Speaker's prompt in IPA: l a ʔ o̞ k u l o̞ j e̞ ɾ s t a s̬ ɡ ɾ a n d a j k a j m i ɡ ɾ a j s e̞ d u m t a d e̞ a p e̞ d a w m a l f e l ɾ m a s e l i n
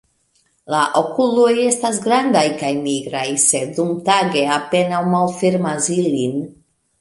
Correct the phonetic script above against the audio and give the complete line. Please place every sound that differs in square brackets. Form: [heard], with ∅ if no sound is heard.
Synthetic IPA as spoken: l a ʔ o̞ k u l o̞ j e̞ [∅] s t a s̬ ɡ ɾ a n d a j k a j m i ɡ ɾ a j s e̞ d u m t a [ɡ] e̞ a p e̞ [n] a w m a l f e [∅] ɾ m a s [i] l i n